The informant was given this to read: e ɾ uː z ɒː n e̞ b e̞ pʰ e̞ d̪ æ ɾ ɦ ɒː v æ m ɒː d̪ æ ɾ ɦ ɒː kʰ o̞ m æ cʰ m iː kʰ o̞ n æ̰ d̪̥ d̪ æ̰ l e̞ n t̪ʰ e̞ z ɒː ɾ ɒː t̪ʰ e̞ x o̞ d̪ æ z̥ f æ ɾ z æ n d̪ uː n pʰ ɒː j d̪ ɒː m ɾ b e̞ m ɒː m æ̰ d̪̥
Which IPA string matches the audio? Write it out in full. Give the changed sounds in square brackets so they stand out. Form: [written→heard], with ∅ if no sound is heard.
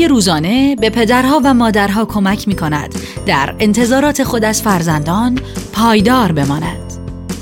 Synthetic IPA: e ɾ uː z ɒː n e̞ b e̞ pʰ e̞ d̪ æ ɾ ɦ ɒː v æ m ɒː d̪ æ ɾ ɦ ɒː kʰ o̞ m æ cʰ m iː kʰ o̞ n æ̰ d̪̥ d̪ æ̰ [l→ɾ] e̞ n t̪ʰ e̞ z ɒː ɾ ɒː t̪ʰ e̞ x o̞ d̪ æ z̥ f æ ɾ z æ n d̪ [uː→ɒː] n pʰ ɒː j d̪ ɒː [m→∅] ɾ b e̞ m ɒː [m→n] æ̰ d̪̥